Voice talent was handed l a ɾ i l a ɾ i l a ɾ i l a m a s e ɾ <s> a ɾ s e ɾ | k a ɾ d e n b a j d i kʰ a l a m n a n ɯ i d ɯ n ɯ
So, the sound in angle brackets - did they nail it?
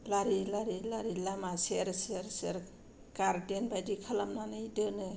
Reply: yes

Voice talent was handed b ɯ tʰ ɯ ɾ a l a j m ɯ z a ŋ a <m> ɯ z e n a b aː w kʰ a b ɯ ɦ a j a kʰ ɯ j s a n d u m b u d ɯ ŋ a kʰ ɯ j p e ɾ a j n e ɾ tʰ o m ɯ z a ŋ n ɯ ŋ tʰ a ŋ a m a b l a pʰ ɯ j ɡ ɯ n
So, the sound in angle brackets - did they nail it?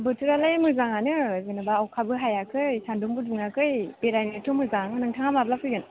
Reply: no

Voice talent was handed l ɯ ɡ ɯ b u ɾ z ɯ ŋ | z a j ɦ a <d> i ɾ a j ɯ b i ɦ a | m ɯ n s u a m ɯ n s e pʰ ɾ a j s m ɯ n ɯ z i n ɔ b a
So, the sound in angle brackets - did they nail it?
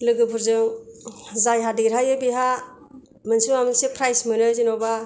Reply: yes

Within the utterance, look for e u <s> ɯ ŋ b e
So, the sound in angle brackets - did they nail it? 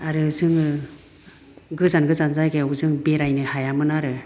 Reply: no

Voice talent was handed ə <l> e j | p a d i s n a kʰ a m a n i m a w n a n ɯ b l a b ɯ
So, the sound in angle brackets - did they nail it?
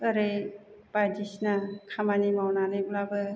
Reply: no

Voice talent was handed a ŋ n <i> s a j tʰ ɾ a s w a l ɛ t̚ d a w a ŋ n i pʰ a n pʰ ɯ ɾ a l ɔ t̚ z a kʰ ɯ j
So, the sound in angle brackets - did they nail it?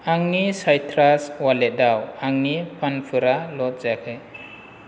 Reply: yes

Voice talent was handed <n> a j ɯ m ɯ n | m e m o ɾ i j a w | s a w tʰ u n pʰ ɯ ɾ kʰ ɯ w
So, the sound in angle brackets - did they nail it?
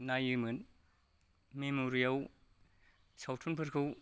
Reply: yes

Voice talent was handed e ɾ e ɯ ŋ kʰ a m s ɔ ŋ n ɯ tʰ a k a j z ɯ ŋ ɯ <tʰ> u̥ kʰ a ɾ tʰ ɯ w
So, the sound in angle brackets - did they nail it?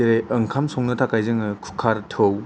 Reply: no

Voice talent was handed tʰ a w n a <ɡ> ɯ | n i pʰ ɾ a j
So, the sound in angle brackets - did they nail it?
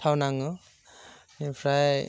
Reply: no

